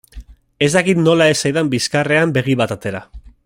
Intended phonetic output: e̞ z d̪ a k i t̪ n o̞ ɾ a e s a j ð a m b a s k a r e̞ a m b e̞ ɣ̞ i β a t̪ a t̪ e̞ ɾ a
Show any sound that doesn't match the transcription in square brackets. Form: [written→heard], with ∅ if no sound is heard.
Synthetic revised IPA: e̞ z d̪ a k i t̪ n o̞ [ɾ→l] a e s a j ð a m b [a→i] s k a r e̞ a m b e̞ ɣ̞ i β a t̪ a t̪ e̞ ɾ a